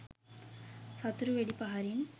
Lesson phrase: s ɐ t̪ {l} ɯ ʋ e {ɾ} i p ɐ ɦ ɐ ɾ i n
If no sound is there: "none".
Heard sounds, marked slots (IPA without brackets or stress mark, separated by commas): ɾ, ɽ